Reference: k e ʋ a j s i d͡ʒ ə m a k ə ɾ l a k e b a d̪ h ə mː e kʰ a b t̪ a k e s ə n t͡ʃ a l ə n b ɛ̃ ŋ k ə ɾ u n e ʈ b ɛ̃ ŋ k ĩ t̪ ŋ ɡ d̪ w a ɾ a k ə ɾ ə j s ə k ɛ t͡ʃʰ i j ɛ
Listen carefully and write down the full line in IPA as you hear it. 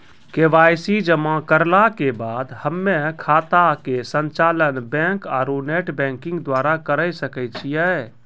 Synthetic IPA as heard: k e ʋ a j s i d͡ʒ ə m a k ə ɾ l a k e b a d̪ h ə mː e kʰ a t̪ a k e s ə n t͡ʃ a l ə n b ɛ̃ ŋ k a ɾ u n e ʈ b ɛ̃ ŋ k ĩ ŋ ɡ d̪ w a ɾ a k ə ɾ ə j s ə k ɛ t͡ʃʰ i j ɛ